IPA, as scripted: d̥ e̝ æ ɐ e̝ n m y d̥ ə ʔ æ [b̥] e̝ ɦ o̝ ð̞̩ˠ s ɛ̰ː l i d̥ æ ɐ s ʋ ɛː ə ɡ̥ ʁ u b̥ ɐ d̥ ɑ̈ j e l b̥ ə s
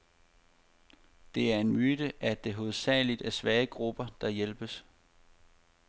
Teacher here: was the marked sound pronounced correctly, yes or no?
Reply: no